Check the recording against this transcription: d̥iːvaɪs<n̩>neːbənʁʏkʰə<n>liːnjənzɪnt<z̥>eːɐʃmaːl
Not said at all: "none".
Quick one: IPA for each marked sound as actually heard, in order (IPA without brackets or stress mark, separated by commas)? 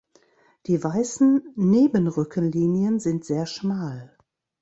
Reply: n̩, n, z̥